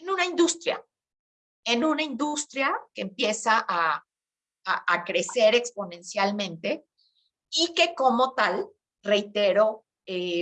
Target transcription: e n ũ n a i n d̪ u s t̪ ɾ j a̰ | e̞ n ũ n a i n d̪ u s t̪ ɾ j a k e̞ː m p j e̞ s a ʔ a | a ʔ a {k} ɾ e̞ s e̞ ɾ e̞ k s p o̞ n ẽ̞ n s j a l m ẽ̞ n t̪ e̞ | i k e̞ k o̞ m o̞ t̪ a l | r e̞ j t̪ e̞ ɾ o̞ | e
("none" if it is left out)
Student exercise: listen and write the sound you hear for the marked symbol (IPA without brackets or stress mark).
k